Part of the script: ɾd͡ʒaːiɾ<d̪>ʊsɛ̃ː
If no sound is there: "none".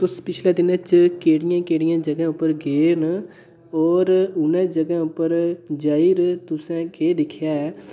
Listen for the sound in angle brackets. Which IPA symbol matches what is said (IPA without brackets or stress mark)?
t̪